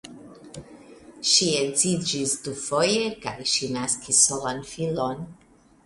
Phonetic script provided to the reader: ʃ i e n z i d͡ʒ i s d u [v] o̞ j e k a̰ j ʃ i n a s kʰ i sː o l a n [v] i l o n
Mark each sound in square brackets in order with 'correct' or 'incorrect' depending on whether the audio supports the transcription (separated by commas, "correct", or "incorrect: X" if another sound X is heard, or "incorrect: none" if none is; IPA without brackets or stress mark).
incorrect: f, incorrect: f